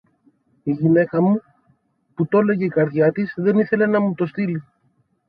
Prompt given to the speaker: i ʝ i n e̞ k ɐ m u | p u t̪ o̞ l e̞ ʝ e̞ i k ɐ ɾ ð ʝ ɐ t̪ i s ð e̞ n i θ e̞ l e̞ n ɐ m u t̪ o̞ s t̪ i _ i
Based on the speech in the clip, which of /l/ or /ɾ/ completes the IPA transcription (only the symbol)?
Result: l